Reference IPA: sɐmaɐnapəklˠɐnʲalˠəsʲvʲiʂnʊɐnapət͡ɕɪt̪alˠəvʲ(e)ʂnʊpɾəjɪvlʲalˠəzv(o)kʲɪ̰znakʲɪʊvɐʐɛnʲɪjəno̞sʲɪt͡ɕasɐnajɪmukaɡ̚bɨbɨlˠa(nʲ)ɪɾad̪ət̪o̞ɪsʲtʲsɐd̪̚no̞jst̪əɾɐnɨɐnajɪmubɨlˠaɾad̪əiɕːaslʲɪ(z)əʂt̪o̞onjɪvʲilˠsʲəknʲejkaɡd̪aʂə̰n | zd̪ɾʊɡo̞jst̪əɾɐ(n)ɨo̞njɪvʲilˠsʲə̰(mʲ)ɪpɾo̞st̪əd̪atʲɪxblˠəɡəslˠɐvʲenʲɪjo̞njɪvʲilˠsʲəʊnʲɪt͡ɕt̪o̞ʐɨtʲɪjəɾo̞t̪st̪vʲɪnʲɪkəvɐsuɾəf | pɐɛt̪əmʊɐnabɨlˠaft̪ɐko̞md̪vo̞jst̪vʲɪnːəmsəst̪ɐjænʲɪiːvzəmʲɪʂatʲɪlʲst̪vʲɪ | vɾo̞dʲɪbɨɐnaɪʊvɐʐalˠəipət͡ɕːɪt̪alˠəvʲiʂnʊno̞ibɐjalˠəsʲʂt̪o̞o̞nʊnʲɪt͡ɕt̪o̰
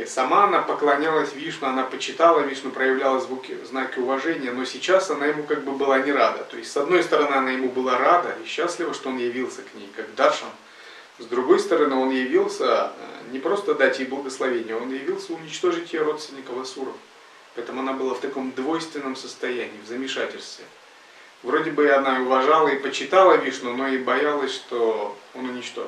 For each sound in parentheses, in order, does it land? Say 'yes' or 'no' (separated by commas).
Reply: no, no, yes, no, yes, no